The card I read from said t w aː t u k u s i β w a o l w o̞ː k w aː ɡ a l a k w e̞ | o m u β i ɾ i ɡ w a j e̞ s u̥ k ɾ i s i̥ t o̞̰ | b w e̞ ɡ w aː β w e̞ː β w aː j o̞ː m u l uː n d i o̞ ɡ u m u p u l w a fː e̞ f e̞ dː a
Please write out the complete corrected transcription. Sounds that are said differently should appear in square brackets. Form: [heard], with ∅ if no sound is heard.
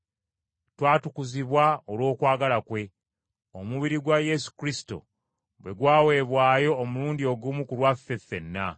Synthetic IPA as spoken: t w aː t u k u [z] i β w a o l w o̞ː k w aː ɡ a l a k w e̞ | o m u β i ɾ i ɡ w a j e̞ s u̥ k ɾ i s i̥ t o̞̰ | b w e̞ ɡ w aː [∅] w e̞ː β w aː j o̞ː m u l uː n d i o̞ ɡ u m u [k] u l w a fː e̞ f e̞ [nː] a